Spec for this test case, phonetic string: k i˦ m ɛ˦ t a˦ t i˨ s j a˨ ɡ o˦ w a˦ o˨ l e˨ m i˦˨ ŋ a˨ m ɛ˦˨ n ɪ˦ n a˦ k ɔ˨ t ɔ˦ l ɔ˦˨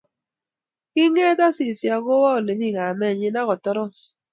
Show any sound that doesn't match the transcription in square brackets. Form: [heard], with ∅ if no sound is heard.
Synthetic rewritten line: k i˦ [ŋ] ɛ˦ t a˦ [s] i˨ s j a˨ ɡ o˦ w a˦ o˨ l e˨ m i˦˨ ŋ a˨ m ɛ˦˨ [ɲ] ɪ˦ n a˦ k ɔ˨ t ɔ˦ [ɾ] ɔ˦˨